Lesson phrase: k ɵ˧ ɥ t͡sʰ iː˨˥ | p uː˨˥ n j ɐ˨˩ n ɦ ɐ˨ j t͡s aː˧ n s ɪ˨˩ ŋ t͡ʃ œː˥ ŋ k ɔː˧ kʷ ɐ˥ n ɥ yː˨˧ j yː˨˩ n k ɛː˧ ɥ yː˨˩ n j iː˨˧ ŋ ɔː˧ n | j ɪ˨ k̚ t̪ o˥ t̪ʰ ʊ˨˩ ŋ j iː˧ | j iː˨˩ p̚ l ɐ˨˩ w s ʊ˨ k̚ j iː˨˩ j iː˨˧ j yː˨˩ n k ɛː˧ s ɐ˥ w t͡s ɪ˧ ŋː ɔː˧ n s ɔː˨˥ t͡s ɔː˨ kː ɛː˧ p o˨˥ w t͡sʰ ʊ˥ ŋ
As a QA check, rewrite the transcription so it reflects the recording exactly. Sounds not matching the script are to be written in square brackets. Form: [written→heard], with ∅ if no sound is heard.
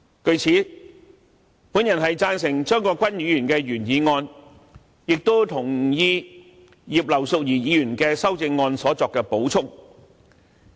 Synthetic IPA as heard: k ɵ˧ ɥ t͡sʰ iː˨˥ | p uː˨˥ n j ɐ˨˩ n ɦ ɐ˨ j t͡s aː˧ n s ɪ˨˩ ŋ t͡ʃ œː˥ ŋ k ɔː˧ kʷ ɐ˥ n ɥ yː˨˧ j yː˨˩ n k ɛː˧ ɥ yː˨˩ n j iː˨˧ ŋ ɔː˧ n | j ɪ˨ k̚ t̪ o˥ t̪ʰ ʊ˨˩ ŋ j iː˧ | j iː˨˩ p̚ l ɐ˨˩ w s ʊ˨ k̚ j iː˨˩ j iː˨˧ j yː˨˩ n k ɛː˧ s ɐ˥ w t͡s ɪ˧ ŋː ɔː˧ n s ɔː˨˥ t͡s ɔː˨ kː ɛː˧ p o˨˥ w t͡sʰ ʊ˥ ŋ